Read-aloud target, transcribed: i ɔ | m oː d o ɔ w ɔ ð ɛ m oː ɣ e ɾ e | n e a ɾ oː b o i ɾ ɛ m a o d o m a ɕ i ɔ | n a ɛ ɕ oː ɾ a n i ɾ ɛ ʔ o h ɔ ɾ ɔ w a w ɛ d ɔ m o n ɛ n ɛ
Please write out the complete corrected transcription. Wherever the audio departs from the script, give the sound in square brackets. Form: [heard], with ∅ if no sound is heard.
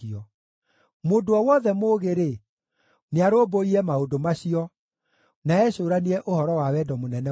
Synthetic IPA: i ɔ | m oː d o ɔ w ɔ ð ɛ m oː ɣ e ɾ e | n e a ɾ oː b o i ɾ ɛ m a o d o m a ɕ i ɔ | n a ɛ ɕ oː ɾ a n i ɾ ɛ ʔ o h ɔ ɾ ɔ w a w ɛ d ɔ m o n ɛ n ɛ